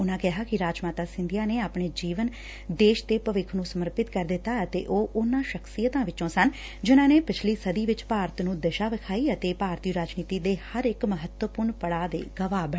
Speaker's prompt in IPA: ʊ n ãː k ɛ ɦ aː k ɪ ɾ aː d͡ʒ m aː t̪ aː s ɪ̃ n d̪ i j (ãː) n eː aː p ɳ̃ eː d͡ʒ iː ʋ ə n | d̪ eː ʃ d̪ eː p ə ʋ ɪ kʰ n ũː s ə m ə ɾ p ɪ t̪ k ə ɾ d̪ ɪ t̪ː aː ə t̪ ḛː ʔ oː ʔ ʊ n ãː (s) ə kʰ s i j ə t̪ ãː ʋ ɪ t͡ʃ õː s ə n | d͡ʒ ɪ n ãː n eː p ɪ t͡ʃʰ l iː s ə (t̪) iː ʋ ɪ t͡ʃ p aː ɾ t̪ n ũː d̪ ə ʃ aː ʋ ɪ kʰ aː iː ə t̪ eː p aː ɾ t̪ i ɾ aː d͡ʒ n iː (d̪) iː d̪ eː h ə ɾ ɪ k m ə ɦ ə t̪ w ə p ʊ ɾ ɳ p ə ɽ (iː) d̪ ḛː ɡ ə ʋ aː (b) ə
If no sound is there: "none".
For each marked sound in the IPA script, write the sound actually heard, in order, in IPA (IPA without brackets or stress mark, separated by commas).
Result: aː, ʃ, d̪, t̪, aː, b